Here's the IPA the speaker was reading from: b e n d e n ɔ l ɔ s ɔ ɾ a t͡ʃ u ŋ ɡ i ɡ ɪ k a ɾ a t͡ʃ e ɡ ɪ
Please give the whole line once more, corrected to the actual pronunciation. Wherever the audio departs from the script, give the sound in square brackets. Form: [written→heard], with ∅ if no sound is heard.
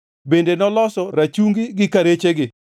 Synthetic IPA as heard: b e n d e n ɔ l ɔ s ɔ ɾ a t͡ʃ u ŋ ɡ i ɡ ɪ k a ɾ [a→e] t͡ʃ e ɡ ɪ